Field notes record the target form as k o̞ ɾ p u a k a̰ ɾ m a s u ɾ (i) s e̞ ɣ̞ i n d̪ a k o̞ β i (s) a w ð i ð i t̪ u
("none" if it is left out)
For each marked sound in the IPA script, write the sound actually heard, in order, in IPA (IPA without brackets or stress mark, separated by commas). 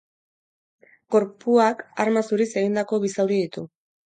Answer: i, s